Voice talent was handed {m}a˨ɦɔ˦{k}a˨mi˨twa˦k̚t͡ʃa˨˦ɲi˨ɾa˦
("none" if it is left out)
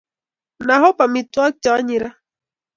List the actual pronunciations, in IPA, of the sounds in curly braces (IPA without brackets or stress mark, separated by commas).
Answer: n, p